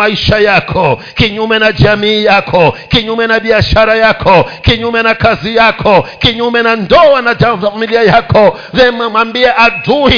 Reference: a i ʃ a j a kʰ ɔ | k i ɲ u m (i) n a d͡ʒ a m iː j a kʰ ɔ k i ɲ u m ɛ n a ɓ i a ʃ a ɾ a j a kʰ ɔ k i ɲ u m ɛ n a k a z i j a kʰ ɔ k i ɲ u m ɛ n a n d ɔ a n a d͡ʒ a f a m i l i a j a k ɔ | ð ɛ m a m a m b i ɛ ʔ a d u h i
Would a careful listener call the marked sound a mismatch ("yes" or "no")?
yes